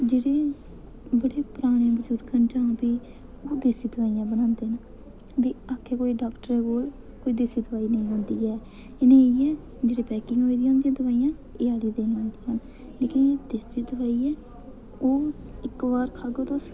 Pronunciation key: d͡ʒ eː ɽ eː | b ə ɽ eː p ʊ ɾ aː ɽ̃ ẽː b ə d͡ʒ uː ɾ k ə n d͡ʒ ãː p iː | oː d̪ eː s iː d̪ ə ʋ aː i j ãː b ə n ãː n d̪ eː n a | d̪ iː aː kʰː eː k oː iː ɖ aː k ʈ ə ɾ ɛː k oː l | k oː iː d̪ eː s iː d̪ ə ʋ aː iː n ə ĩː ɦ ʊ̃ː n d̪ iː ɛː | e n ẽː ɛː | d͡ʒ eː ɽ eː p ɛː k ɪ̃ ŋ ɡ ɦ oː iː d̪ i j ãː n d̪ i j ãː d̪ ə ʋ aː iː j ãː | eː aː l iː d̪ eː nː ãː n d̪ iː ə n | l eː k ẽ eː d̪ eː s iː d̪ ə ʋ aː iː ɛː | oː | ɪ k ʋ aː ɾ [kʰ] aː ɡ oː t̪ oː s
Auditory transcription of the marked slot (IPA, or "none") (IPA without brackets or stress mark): kʰ